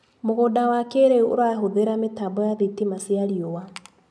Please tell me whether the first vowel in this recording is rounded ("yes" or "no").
yes